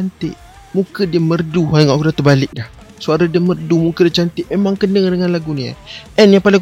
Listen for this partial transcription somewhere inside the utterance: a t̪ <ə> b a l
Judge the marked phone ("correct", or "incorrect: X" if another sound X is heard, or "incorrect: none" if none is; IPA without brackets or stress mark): correct